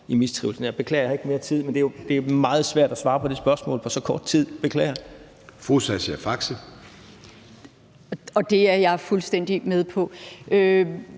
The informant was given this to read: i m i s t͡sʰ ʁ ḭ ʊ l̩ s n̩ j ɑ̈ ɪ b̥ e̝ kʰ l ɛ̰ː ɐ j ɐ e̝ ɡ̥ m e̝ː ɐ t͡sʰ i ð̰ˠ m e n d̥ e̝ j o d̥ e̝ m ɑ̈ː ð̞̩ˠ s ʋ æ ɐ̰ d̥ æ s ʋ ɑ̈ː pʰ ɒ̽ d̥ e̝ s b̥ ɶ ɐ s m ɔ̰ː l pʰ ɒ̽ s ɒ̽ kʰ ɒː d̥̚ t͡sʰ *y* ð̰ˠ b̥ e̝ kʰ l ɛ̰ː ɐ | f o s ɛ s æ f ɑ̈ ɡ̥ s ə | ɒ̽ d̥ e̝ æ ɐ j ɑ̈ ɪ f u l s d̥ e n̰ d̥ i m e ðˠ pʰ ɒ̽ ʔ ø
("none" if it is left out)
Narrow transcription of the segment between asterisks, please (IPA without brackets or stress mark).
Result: i